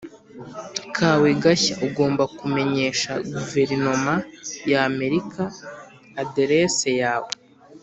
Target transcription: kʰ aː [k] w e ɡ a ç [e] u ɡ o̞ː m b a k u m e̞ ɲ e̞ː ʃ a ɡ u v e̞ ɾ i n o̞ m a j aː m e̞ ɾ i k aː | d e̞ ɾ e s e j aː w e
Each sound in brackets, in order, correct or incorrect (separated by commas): incorrect, incorrect